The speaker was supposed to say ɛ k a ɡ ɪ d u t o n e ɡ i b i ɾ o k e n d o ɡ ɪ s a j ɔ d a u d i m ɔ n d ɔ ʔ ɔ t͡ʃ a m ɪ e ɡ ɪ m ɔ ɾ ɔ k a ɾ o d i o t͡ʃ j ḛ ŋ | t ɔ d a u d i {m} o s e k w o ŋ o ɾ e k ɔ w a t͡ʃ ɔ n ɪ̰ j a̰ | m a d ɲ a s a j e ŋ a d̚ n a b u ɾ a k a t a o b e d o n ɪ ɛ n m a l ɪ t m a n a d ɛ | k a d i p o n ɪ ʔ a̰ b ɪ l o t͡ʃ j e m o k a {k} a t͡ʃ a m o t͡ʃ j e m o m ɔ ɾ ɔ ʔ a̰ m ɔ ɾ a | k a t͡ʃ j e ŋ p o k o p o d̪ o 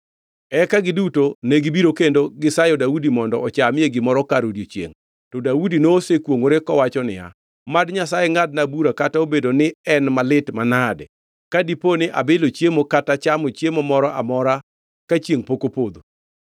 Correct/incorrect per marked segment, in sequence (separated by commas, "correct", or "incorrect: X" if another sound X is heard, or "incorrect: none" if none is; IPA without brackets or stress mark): incorrect: n, incorrect: t